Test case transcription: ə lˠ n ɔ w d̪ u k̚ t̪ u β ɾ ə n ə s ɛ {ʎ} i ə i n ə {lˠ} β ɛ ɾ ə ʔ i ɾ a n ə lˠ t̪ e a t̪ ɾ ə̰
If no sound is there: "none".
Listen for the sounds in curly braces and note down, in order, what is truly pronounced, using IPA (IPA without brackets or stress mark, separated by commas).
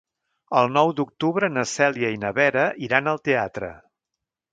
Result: l, none